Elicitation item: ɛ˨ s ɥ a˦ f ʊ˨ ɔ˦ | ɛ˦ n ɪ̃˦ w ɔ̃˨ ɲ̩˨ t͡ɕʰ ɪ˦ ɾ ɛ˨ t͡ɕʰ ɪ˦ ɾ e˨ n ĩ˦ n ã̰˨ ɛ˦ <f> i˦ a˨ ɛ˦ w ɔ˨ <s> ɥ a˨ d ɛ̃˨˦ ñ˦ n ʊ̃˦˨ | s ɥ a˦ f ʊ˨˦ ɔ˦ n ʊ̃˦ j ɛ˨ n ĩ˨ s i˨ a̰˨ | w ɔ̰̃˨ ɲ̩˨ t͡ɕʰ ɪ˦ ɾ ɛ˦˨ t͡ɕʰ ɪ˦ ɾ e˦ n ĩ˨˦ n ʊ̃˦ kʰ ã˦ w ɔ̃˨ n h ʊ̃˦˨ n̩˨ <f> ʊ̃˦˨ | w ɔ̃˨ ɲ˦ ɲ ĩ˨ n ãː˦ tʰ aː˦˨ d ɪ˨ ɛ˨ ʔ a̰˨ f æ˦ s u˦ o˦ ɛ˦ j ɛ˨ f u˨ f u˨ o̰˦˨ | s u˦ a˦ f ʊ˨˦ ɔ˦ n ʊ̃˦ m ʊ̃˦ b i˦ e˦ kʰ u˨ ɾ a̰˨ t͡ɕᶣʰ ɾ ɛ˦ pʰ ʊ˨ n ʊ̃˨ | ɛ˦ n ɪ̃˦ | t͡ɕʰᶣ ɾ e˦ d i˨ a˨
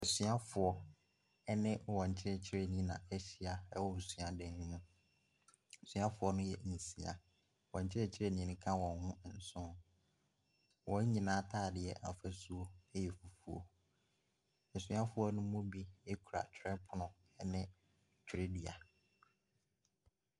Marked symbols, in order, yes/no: no, yes, no

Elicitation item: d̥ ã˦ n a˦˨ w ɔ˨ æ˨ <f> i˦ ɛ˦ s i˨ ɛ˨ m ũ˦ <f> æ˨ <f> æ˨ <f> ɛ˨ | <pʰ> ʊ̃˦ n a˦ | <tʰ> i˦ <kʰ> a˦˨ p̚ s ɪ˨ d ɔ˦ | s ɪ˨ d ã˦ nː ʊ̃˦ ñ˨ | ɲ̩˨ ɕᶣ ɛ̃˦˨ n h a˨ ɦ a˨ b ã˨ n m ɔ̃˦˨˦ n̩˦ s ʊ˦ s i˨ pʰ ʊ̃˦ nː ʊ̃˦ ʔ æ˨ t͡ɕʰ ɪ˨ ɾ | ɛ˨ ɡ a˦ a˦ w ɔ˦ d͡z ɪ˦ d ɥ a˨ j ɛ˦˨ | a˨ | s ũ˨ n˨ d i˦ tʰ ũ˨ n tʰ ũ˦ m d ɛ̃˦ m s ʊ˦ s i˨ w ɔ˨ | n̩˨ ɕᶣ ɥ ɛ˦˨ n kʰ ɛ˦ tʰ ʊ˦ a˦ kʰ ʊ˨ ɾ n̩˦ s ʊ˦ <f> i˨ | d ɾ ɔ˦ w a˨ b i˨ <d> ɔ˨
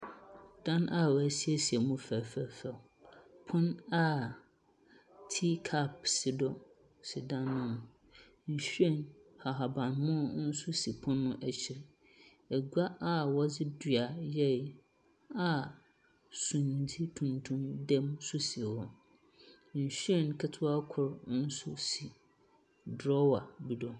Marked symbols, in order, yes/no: no, yes, yes, yes, yes, yes, yes, no, yes

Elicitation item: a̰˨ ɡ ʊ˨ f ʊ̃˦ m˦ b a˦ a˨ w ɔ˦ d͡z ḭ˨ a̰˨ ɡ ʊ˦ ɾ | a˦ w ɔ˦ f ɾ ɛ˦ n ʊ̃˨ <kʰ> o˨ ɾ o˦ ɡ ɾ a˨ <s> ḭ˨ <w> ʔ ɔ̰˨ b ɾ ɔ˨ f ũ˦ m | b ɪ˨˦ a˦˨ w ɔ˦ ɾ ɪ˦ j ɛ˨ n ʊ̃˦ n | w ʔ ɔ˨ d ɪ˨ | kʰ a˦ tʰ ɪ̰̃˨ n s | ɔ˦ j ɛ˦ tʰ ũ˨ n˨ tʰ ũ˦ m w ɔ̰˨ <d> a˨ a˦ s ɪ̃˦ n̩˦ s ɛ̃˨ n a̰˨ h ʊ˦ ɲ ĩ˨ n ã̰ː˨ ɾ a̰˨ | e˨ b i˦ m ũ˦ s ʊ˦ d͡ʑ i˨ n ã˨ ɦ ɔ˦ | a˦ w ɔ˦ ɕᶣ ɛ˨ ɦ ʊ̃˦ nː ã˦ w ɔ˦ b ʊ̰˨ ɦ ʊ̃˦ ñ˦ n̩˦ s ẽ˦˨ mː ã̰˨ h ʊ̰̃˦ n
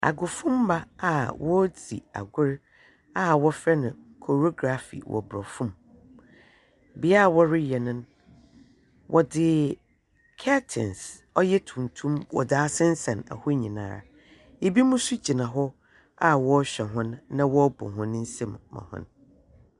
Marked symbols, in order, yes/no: yes, no, yes, yes

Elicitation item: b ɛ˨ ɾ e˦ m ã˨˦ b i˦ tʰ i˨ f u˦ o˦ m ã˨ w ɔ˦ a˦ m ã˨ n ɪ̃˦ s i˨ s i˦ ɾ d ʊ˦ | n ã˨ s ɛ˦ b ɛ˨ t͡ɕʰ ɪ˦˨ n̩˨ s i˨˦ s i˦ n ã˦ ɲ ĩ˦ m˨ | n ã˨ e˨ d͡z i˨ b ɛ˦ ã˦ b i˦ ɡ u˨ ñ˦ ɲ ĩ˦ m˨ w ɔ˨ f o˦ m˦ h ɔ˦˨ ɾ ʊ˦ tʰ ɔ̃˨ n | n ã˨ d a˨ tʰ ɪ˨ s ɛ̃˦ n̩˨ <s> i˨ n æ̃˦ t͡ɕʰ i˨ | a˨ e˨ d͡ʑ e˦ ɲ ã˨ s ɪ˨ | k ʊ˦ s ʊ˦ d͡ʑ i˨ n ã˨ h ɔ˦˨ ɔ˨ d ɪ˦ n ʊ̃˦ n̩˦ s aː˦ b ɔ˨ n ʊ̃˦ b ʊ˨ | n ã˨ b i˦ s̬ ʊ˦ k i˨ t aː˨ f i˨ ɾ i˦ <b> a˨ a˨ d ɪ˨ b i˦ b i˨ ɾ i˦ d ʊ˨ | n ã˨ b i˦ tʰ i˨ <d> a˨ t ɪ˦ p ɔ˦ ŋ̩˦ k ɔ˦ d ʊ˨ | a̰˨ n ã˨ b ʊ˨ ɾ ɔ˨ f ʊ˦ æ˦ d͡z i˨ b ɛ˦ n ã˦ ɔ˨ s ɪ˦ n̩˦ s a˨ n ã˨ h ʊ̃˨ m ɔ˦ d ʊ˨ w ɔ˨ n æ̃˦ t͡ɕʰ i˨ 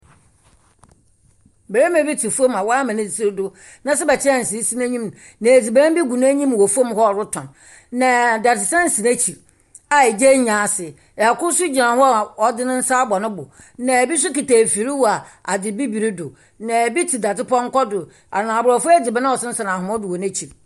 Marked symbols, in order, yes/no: yes, no, yes

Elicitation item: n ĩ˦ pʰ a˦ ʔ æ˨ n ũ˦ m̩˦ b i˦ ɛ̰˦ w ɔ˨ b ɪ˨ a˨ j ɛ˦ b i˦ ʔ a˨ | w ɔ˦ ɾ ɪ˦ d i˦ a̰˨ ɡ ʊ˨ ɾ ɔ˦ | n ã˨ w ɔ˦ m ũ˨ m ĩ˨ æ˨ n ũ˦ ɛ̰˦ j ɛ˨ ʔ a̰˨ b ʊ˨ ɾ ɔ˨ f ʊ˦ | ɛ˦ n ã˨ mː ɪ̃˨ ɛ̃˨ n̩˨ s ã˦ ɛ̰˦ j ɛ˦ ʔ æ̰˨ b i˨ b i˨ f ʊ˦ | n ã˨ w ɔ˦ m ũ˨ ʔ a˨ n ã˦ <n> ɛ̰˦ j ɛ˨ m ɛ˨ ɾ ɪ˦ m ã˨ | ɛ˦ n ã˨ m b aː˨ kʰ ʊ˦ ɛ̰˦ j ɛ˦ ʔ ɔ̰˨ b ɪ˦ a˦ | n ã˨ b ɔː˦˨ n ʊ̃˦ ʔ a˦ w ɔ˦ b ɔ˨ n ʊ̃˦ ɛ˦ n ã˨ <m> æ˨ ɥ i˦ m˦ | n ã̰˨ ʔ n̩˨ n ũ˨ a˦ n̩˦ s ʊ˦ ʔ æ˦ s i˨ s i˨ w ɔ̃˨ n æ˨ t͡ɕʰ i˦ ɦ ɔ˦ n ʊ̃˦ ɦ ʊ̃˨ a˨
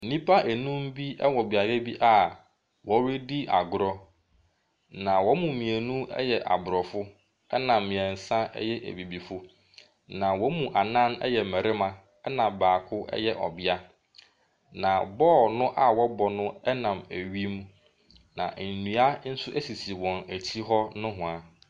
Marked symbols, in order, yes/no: yes, yes

